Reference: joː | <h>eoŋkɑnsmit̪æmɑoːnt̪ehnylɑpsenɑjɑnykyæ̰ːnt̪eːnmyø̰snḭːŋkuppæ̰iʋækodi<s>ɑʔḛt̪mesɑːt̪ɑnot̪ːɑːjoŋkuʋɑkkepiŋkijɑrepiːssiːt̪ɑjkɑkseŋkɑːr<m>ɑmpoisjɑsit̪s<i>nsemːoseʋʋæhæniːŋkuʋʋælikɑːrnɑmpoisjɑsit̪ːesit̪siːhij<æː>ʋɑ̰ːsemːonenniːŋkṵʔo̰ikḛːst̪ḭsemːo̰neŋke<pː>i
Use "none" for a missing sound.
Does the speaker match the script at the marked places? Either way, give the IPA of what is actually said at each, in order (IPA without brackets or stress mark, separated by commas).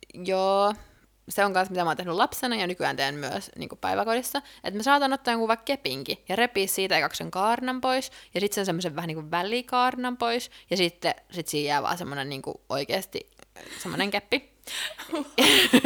s, sː, n, e, æː, pː